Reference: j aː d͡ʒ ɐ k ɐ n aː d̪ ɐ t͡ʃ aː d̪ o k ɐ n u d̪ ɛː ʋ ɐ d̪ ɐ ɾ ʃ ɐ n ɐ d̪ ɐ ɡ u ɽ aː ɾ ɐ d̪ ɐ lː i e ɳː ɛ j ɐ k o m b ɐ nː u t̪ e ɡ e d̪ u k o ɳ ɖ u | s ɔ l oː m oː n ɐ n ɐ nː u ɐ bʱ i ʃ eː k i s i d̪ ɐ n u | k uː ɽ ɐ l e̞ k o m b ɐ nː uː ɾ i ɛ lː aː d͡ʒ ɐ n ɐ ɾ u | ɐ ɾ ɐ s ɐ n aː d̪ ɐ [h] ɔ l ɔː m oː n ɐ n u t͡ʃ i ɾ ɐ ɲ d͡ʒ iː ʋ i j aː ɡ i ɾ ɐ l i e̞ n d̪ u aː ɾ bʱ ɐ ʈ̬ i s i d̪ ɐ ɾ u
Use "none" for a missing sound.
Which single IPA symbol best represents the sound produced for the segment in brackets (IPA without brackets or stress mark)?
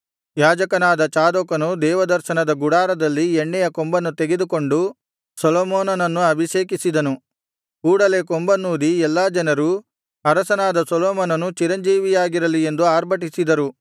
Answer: s